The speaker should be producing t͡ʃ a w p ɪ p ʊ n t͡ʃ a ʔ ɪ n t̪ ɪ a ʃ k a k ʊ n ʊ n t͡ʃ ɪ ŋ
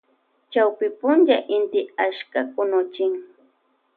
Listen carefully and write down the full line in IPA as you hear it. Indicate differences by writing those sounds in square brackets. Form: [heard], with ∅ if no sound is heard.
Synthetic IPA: t͡ʃ a w p ɪ p ʊ n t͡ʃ a ʔ ɪ n t̪ ɪ a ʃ k a k ʊ n ʊ [∅] t͡ʃ ɪ ŋ